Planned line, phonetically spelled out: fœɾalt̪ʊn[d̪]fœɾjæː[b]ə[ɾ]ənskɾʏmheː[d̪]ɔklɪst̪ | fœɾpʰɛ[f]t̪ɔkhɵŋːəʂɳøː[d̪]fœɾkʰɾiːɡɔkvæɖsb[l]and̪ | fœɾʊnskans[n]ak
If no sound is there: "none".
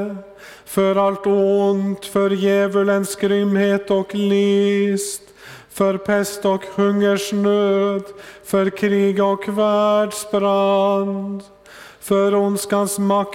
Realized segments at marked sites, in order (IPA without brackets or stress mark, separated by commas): t̪, v, l, t̪, s, d̪, ɾ, m